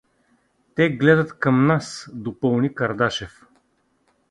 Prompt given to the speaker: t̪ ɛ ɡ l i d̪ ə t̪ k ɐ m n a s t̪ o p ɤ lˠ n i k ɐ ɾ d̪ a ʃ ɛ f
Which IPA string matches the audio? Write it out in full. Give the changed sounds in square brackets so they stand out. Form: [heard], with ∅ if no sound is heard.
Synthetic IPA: t̪ ɛ ɡ l [ɛ] d̪ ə t̪ k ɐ m n a s [d̪] o p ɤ lˠ n i k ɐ ɾ d̪ a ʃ ɛ f